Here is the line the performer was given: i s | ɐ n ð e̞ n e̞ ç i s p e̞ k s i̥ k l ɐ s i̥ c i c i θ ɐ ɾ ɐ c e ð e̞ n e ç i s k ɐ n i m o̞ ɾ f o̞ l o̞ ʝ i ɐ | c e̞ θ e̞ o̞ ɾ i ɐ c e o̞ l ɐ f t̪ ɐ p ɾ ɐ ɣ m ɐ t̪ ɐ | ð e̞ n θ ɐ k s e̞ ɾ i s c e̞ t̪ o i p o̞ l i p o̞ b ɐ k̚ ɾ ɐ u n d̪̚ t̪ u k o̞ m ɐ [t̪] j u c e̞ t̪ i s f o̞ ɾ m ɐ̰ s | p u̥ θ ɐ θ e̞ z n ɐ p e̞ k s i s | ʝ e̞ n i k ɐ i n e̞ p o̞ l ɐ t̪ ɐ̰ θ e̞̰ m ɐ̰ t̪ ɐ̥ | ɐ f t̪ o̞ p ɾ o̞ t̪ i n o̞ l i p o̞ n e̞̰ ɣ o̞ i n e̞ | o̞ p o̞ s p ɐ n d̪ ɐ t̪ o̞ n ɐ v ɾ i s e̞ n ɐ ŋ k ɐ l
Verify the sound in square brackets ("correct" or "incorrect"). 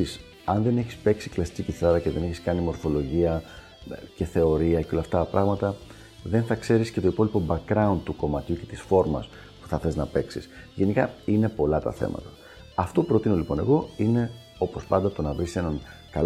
correct